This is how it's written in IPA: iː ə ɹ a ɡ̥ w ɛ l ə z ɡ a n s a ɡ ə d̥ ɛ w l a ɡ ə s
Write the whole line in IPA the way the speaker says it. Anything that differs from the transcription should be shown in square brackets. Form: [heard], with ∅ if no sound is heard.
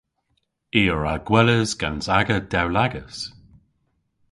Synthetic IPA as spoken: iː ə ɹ a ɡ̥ w ɛ l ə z ɡ a n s a ɡ ə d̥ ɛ w l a ɡ ə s